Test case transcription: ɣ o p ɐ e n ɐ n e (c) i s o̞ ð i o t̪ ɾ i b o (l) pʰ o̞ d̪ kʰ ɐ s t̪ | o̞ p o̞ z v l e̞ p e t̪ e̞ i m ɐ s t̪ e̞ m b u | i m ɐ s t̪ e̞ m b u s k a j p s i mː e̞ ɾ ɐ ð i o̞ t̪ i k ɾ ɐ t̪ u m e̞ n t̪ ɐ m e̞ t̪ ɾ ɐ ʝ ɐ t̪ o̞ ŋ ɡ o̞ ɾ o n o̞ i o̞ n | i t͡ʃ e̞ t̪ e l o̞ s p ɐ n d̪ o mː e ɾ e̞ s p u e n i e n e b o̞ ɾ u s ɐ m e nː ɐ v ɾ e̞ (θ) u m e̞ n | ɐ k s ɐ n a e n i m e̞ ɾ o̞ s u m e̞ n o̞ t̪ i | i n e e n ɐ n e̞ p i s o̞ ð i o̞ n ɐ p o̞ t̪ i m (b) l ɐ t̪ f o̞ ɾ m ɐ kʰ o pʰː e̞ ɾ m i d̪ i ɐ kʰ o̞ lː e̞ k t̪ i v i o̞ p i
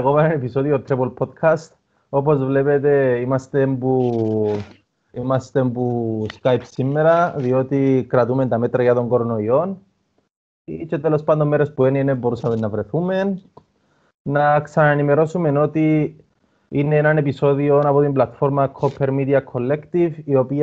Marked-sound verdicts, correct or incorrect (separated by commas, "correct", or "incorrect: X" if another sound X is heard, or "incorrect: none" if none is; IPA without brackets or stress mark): incorrect: p, correct, correct, correct